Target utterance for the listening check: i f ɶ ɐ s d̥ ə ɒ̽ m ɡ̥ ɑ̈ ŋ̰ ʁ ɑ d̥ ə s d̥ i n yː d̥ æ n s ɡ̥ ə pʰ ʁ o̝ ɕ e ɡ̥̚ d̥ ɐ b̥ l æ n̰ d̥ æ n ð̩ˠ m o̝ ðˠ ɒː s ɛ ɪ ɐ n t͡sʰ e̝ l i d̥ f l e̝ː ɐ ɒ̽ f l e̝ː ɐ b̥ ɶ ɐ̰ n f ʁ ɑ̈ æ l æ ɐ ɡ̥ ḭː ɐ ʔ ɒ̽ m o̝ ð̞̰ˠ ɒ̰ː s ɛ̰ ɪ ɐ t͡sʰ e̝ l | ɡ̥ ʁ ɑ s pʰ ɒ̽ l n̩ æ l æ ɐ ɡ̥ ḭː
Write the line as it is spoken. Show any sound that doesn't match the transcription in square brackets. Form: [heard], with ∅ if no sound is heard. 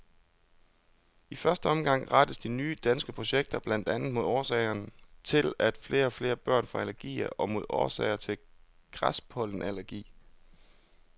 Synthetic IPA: i f ɶ ɐ s d̥ ə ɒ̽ m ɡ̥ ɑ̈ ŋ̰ ʁ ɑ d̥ ə s d̥ i n yː d̥ æ n s ɡ̥ ə pʰ ʁ o̝ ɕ e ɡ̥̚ d̥ ɐ b̥ l æ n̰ d̥ æ n ð̩ˠ m o̝ ðˠ ɒː s ɛ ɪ ɐ n t͡sʰ e̝ l [æ] d̥ f l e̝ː ɐ ɒ̽ f l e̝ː ɐ b̥ ɶ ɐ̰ n f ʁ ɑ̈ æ l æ ɐ ɡ̥ ḭː ɐ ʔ ɒ̽ m o̝ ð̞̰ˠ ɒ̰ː s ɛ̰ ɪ ɐ t͡sʰ e̝ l | ɡ̥ ʁ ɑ s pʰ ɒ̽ l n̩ æ l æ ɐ ɡ̥ ḭː